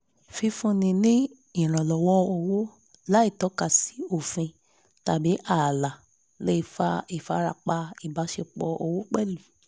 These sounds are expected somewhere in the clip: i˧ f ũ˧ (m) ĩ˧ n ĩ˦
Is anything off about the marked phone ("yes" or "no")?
yes